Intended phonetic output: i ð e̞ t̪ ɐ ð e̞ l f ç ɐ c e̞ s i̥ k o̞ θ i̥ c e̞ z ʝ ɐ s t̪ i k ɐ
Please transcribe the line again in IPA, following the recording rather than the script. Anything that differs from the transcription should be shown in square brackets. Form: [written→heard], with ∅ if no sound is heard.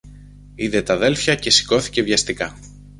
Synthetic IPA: i ð e̞ t̪ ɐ ð e̞ l f ç ɐ c e̞ s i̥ k o̞ θ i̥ c e̞ [z→v] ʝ ɐ s t̪ i k ɐ